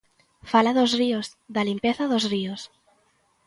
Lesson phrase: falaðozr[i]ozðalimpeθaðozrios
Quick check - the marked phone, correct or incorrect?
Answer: correct